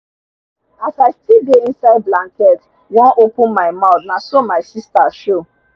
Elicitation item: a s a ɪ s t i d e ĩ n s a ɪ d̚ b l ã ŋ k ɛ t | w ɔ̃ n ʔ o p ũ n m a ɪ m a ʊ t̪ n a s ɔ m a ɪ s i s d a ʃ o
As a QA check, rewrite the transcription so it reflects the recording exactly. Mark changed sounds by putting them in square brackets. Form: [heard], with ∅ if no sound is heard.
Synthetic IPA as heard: a s a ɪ s t i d e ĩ n s a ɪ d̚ b l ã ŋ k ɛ t | w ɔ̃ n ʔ o p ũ n m a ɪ m a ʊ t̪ n a s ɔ m a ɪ s i s [t] a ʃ o